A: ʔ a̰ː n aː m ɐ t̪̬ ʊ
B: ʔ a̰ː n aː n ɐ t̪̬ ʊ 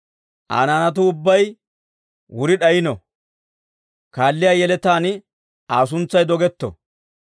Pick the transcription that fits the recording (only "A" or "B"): B